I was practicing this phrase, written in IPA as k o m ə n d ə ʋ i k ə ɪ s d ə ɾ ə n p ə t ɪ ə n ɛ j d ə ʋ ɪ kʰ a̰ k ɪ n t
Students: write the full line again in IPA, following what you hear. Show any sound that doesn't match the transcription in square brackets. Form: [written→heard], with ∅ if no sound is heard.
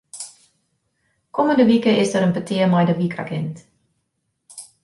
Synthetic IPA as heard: k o m ə n d ə ʋ i k ə ɪ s d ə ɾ ə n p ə t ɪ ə [n→m] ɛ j d ə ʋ [ɪ→i] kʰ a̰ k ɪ n t